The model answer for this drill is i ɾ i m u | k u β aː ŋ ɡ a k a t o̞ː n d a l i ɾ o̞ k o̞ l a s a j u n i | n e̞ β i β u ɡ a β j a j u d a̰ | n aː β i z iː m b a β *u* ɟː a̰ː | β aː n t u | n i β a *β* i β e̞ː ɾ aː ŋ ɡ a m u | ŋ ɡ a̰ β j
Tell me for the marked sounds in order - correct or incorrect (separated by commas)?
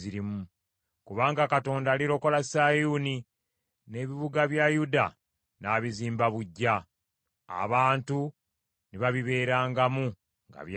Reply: correct, correct